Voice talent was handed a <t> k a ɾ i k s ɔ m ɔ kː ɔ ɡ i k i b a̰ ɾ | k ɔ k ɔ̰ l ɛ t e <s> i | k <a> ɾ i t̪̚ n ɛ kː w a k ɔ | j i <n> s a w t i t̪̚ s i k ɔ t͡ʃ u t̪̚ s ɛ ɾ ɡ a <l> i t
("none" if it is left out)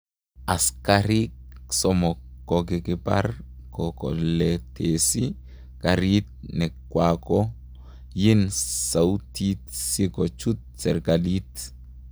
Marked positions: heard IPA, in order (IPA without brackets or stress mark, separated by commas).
s, s, a, n, l